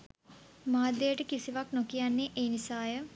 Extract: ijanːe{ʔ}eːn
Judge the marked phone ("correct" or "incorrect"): correct